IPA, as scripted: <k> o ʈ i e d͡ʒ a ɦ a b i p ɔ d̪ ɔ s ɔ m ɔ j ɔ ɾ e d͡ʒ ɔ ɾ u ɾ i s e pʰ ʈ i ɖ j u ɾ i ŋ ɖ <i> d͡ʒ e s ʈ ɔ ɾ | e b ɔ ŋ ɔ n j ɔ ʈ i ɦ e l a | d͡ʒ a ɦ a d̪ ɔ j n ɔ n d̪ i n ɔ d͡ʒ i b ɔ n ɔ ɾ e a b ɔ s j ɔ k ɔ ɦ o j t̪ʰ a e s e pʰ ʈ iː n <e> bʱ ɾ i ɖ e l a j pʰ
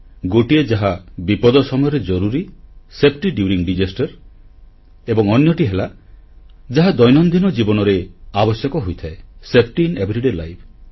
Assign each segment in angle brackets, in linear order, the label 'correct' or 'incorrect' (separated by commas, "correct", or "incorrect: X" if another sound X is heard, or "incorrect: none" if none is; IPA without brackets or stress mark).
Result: incorrect: ɡ, correct, correct